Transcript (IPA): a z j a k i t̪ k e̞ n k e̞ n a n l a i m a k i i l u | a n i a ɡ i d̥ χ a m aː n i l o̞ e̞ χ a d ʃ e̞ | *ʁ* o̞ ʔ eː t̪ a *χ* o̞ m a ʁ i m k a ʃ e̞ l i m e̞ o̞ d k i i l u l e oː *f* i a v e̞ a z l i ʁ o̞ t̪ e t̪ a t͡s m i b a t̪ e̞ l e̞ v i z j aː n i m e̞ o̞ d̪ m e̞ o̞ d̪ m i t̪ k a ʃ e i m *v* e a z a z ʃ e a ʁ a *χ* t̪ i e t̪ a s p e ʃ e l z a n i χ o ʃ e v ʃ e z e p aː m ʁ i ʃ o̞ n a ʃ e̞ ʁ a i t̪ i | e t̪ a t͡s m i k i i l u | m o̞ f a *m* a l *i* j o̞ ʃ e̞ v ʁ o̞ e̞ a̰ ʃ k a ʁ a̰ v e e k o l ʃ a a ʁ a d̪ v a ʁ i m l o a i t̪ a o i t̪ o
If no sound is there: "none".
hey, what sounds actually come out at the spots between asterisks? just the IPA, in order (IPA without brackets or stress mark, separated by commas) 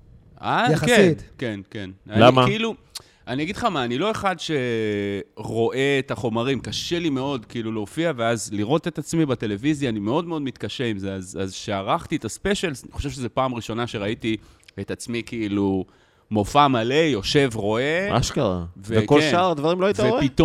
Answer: ʁ, χ, f, z, χ, m, e